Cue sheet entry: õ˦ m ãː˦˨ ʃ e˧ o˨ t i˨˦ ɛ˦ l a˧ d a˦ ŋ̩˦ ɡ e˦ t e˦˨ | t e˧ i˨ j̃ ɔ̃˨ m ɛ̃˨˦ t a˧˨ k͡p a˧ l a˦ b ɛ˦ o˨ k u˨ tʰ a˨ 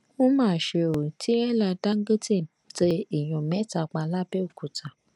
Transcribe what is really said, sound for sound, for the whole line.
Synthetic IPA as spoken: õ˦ m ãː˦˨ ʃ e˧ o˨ t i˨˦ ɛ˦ l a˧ d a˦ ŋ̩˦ ɡ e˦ t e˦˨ | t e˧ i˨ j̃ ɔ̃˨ m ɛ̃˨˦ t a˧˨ k͡p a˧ l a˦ b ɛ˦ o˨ k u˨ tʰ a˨